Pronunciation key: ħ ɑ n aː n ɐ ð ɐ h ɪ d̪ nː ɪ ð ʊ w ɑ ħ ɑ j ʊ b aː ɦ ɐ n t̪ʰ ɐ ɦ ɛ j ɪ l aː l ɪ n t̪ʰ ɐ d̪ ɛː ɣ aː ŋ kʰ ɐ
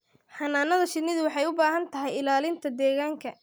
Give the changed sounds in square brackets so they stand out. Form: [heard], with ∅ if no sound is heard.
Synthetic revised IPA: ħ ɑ n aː n ɐ ð ɐ [ʃ] ɪ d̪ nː ɪ ð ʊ w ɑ ħ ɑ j ʊ b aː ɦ ɐ n t̪ʰ ɐ ɦ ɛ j ɪ l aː l ɪ n t̪ʰ ɐ d̪ ɛː ɣ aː ŋ kʰ ɐ